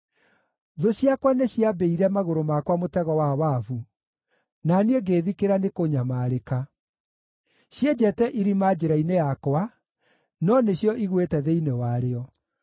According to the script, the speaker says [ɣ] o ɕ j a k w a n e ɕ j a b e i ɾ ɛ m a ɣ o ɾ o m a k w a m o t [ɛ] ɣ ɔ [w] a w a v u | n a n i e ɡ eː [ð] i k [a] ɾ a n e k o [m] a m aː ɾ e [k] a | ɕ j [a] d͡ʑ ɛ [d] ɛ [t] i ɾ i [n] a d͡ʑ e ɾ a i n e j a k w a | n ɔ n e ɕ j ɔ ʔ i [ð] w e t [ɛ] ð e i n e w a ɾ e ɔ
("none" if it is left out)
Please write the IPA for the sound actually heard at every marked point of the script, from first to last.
ð, ɛ, w, ð, e, ɲ, k, e, t, ʔ, m, ɣ, ɛ

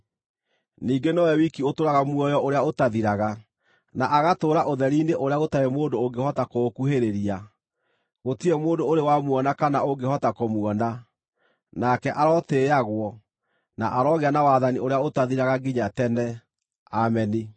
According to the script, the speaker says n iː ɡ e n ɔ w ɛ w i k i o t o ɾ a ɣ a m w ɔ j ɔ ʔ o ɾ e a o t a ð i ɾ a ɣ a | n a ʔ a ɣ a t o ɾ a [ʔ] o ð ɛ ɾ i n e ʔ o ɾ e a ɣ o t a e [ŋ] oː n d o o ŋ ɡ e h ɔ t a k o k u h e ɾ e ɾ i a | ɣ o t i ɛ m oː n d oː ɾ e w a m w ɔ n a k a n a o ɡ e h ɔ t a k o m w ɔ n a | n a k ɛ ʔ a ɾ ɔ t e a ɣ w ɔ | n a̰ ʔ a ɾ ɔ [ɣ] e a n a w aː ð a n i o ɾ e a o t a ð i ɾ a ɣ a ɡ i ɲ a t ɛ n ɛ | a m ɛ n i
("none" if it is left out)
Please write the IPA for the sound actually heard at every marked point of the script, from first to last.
ʔ, m, ɣ

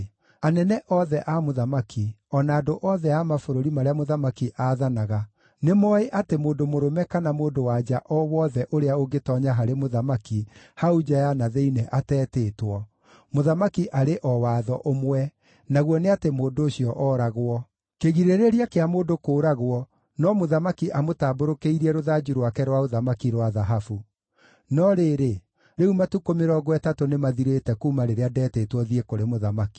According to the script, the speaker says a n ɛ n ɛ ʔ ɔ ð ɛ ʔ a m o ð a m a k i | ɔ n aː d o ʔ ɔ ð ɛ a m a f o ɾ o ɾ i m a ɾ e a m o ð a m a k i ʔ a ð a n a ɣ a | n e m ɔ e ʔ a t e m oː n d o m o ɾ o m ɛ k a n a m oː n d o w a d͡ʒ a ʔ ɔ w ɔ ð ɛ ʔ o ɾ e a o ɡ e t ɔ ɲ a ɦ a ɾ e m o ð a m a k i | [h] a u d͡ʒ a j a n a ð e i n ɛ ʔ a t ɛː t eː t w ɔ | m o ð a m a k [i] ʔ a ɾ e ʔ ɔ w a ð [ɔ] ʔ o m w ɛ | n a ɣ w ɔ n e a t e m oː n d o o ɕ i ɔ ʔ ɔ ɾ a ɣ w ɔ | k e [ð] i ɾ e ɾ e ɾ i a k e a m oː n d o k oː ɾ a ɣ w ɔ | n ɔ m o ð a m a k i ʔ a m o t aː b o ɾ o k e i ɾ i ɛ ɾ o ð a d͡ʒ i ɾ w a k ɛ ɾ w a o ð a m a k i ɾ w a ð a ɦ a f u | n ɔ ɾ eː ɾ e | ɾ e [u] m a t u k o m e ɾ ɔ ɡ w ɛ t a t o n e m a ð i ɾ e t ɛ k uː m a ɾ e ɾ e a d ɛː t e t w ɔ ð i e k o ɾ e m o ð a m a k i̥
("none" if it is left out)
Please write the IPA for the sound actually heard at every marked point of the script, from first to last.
h, i, ɔ, ɣ, u

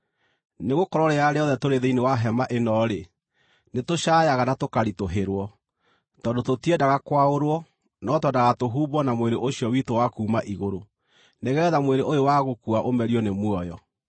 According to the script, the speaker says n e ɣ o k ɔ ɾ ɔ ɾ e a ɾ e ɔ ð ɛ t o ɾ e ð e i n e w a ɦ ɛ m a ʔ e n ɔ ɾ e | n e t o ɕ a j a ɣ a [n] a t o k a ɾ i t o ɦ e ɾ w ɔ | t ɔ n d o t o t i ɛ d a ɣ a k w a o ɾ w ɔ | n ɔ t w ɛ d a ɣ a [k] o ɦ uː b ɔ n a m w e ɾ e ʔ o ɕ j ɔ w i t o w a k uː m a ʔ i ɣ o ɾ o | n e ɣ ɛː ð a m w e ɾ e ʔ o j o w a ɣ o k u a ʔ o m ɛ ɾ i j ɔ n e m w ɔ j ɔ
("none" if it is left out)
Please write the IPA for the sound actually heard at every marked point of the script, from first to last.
n, t

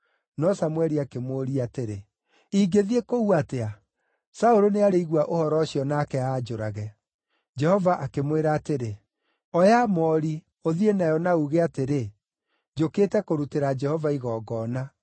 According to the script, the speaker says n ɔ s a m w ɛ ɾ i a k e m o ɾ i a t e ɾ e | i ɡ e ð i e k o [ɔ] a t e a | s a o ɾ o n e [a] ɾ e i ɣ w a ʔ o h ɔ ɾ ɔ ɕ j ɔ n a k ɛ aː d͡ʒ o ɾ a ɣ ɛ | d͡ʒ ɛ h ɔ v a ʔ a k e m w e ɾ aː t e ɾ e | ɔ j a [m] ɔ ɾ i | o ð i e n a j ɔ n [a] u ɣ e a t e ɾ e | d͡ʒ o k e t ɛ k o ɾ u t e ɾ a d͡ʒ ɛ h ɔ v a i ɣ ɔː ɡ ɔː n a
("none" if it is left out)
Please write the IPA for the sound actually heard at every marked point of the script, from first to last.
u, a, m, a

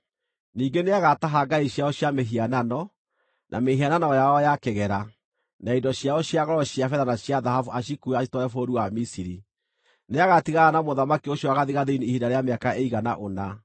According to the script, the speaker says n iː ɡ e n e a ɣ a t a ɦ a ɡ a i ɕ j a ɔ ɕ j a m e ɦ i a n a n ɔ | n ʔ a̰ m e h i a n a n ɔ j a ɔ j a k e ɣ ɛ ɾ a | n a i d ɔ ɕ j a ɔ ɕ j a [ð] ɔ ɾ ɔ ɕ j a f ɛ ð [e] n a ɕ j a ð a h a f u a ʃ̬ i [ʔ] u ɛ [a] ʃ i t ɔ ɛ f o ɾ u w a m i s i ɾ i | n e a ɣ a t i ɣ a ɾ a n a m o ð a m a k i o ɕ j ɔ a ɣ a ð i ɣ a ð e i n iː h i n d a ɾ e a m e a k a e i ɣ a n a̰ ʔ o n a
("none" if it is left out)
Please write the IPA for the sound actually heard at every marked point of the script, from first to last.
ɣ, a, k, a

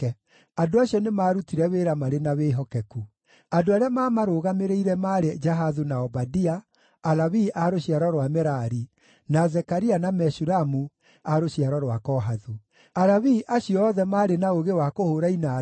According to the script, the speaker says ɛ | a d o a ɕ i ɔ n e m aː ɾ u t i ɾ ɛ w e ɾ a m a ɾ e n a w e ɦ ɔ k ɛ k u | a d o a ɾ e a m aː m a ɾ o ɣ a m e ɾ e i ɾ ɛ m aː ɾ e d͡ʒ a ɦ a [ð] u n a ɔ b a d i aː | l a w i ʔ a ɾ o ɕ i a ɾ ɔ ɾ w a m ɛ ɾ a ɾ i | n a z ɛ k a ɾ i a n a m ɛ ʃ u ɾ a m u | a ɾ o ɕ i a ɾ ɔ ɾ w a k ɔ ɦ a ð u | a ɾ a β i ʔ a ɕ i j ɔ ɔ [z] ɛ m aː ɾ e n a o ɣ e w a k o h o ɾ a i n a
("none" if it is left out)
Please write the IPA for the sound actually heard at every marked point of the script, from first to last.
ð, ð

